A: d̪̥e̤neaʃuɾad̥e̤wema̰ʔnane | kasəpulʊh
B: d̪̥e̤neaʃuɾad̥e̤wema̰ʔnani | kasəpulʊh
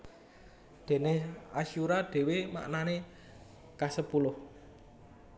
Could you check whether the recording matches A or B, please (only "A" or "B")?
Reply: A